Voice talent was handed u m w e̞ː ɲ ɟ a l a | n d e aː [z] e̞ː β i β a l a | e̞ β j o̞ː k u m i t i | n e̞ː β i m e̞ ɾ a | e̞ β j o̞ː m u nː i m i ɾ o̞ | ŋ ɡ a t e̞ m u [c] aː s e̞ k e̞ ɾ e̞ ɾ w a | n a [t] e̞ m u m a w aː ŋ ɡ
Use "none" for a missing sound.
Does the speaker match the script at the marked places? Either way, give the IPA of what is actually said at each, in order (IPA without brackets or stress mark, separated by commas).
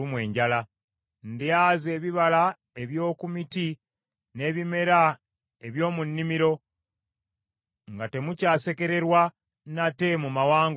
z, c, t